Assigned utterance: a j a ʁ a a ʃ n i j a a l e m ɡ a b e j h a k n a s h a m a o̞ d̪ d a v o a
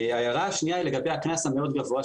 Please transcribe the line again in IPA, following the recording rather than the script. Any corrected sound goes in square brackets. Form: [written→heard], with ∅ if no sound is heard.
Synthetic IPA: a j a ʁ a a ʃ n i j a [a→i] l e [m→∅] ɡ a b e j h a k n a s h a m [a→e] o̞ d̪ [d→ɡ] a v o a